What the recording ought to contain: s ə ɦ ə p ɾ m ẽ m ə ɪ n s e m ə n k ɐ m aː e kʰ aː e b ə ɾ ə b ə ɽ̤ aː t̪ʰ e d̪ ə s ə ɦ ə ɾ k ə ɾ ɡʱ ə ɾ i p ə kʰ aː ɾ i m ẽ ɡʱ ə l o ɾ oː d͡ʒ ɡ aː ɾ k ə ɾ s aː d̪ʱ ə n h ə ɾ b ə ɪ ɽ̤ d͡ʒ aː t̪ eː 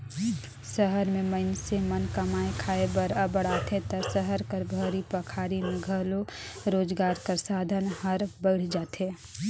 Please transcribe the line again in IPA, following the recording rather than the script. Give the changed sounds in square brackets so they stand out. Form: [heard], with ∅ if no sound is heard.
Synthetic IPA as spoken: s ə ɦ ə [∅] ɾ m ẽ m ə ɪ n s e m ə n k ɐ m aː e kʰ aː e b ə ɾ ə b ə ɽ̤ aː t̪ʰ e [t̪] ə s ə ɦ ə ɾ k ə ɾ [bʱ] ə ɾ i p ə kʰ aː ɾ i m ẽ ɡʱ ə l o ɾ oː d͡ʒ ɡ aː ɾ k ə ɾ s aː d̪ʱ ə n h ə ɾ b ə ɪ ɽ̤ d͡ʒ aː t̪ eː